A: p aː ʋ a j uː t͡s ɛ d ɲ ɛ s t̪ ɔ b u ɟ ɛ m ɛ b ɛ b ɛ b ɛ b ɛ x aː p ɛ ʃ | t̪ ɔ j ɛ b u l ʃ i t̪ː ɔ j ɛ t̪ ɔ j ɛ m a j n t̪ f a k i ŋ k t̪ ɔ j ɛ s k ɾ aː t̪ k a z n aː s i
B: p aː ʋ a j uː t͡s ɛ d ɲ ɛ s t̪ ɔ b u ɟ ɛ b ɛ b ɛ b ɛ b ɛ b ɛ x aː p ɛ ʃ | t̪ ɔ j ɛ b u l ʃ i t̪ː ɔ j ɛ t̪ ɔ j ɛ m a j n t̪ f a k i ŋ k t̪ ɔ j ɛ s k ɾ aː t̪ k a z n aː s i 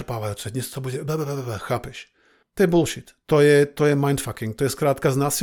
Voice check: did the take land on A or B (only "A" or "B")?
B